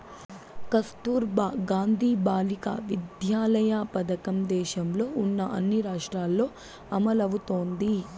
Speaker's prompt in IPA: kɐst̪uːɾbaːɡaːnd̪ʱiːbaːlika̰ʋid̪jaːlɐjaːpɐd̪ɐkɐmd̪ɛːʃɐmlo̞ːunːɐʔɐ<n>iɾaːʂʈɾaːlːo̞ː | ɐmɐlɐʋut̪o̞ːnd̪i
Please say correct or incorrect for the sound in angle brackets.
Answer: incorrect